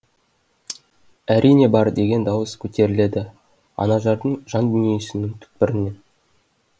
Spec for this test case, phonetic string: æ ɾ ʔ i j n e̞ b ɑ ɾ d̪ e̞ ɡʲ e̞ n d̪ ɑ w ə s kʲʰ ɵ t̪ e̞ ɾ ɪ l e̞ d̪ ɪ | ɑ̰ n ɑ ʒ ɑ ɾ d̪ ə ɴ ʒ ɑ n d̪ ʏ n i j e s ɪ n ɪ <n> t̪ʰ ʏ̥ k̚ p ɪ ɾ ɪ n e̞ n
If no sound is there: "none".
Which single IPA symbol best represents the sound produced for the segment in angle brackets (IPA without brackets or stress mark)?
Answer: ŋ